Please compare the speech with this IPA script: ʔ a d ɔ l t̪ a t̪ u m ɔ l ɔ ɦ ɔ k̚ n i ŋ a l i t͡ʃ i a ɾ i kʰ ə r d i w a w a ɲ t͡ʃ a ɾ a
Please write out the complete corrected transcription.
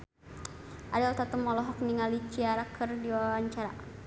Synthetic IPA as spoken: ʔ a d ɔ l t̪ a t̪ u m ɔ l ɔ ɦ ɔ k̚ n i ŋ a l i t͡ʃ i a ɾ a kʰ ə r d i w a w a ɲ t͡ʃ a ɾ a

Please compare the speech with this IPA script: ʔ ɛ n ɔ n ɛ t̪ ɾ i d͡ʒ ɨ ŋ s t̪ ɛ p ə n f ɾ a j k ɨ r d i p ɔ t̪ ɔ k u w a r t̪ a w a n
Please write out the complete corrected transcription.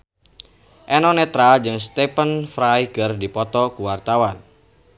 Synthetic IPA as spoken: ʔ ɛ n ɔ n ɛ t̪ ɾ a d͡ʒ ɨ ŋ s t̪ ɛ p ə n f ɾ a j k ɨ r d i p ɔ t̪ ɔ k u w a r t̪ a w a n

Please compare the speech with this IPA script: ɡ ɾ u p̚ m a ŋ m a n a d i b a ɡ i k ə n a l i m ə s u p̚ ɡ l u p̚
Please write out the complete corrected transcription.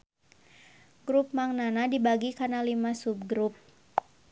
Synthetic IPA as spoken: ɡ ɾ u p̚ m a ŋ n a n a d i b a ɡ i k a n a l i m a s u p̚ ɡ ɾ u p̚

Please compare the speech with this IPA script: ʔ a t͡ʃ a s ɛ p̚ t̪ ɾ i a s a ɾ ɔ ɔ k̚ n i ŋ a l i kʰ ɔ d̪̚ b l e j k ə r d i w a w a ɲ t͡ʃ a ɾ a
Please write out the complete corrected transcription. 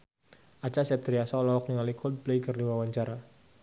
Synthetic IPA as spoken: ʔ a t͡ʃ a s ɛ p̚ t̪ ɾ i a s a l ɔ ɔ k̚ n i ŋ a l i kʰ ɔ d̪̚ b l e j k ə r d i w a w a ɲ t͡ʃ a ɾ a

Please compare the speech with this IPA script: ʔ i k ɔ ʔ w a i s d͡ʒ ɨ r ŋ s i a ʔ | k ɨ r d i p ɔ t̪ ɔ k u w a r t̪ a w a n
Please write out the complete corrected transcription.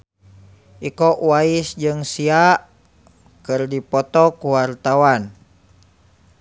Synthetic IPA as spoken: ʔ i k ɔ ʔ w a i s d͡ʒ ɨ ŋ s i a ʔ | k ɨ r d i p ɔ t̪ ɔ k u w a r t̪ a w a n

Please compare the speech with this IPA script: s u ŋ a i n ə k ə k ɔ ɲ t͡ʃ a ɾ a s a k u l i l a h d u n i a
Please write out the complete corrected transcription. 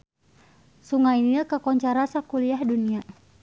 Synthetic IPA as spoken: s u ŋ a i n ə k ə k ɔ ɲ t͡ʃ a ɾ a s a k u l i a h d u n i a

